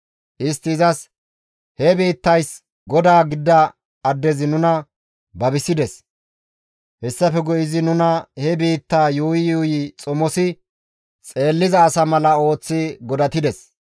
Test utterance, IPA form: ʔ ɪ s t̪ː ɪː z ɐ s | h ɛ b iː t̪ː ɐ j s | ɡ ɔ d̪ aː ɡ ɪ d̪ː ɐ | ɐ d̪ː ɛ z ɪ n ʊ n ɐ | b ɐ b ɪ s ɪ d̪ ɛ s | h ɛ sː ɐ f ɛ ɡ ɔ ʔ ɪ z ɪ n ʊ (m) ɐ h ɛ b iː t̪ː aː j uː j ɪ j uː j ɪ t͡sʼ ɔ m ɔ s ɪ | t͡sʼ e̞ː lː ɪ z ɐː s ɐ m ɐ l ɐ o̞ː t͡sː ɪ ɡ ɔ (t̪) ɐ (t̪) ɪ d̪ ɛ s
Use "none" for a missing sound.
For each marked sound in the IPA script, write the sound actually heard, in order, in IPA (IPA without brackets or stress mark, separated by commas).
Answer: n, d̪, t̪